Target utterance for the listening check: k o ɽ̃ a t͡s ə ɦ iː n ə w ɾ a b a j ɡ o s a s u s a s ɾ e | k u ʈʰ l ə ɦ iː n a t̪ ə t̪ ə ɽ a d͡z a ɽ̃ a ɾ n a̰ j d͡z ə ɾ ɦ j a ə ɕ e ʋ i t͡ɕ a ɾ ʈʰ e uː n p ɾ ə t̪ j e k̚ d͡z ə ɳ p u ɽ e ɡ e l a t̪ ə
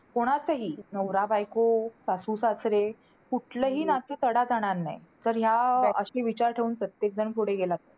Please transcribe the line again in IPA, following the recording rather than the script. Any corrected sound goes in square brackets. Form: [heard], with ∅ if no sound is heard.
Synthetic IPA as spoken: k o ɽ̃ a t͡s ə ɦ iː n ə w ɾ a b a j [k] o s a s u s a s ɾ e | k u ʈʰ l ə ɦ iː n a t̪ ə t̪ ə ɽ a d͡z a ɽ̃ a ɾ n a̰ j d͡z ə ɾ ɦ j a ə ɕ e ʋ i t͡ɕ a ɾ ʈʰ e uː n p ɾ ə t̪ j e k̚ d͡z ə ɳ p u ɽ e ɡ e l a t̪ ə